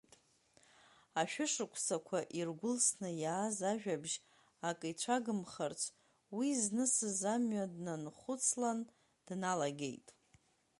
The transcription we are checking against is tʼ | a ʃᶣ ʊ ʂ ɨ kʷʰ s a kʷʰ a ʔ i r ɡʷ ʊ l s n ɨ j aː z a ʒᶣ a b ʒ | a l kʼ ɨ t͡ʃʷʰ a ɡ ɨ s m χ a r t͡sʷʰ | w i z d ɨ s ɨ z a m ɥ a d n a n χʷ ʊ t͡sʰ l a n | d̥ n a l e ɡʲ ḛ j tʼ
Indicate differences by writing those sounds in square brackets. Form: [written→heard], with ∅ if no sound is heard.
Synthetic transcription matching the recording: tʼ | a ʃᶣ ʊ ʂ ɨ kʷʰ s a kʷʰ a ʔ i r ɡʷ ʊ l s n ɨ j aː z a ʒᶣ a b ʒ | a [l→∅] kʼ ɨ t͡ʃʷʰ a ɡ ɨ [s→∅] m χ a r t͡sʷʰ | w i z [d→n] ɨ s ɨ z a m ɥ a d n a n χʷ ʊ t͡sʰ l a n | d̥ n a l [e→a] ɡʲ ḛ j tʼ